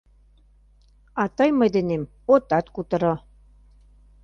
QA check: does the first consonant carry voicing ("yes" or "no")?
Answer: no